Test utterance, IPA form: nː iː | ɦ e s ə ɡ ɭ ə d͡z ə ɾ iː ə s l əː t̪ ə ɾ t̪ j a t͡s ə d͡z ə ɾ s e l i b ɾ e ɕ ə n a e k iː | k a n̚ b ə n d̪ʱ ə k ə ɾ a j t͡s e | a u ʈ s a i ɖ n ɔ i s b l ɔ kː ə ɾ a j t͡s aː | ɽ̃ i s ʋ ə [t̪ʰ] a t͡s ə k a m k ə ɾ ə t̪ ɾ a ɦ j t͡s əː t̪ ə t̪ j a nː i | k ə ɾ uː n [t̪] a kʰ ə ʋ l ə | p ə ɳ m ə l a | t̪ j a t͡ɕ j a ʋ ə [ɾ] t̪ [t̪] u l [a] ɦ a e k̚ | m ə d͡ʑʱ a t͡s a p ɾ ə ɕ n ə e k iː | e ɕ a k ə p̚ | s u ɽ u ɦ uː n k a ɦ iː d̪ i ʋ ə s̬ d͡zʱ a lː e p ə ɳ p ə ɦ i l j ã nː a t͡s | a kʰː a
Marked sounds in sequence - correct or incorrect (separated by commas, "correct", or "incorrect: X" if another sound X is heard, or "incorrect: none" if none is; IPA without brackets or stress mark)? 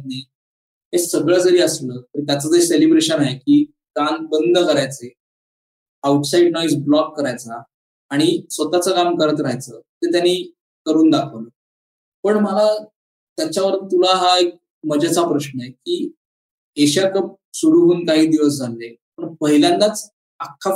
incorrect: t̪, incorrect: d̪, correct, correct, correct